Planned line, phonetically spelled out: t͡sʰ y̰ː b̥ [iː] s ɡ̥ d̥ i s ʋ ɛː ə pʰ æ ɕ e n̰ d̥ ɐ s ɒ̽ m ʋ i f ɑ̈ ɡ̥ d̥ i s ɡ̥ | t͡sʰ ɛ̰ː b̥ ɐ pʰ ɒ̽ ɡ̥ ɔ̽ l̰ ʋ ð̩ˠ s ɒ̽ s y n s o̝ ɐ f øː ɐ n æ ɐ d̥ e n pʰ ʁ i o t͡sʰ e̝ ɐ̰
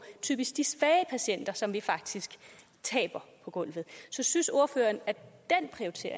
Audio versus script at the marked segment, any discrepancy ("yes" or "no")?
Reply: yes